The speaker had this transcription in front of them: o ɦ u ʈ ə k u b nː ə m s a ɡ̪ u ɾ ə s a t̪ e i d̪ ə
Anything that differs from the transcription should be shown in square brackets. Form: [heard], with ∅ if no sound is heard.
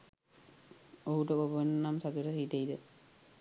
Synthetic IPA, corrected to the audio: o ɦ u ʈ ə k [o] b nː [a] m s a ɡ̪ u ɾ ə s [i] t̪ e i d̪ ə